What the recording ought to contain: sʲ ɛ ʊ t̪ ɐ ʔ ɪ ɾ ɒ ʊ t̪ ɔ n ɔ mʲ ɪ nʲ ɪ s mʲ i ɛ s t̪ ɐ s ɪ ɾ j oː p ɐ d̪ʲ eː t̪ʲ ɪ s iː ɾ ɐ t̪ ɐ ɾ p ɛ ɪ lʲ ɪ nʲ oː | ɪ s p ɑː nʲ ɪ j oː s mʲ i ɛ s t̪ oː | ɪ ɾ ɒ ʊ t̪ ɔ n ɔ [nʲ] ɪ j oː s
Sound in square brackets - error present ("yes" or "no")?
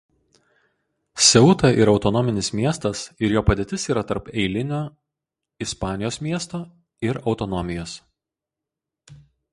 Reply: yes